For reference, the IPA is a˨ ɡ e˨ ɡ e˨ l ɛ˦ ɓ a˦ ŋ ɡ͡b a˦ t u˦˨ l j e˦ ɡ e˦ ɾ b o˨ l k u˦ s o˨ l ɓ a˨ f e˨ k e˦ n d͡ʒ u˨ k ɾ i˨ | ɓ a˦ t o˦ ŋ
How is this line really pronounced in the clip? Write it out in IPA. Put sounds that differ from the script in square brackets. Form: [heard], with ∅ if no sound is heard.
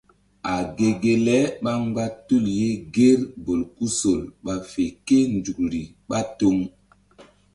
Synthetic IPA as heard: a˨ ɡ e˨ ɡ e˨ l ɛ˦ ɓ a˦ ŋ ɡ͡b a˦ t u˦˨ l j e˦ ɡ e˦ ɾ b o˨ l k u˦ s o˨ l ɓ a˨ f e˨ k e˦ n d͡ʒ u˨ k ɾ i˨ | ɓ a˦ t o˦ ŋ